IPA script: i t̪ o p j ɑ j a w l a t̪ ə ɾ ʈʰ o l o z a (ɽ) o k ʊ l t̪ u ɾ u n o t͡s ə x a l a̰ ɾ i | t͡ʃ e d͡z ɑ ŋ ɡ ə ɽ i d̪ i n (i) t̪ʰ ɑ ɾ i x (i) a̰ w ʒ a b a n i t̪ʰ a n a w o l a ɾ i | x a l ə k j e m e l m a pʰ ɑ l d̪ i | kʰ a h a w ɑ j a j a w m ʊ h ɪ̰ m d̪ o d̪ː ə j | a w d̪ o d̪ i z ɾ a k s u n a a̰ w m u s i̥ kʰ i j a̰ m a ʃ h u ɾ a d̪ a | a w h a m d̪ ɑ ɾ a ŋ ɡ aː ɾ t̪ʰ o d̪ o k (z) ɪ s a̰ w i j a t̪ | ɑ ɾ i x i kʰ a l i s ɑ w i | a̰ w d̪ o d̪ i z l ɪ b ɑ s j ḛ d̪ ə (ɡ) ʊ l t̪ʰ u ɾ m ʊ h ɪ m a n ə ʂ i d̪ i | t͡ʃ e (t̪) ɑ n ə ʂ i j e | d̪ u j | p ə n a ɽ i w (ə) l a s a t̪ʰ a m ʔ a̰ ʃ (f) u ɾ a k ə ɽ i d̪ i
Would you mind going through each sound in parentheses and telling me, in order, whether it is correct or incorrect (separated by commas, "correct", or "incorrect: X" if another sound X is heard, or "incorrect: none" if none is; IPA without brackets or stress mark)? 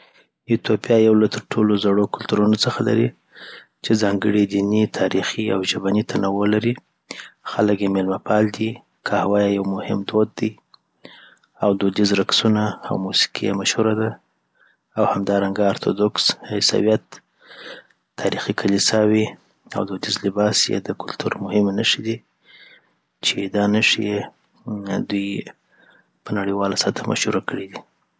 correct, correct, correct, incorrect: s, incorrect: k, incorrect: d̪, incorrect: ɑ, incorrect: h